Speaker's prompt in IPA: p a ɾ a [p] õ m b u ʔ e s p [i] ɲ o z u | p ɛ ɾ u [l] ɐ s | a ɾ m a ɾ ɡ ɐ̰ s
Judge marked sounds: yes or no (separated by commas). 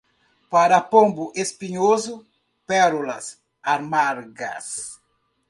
yes, yes, yes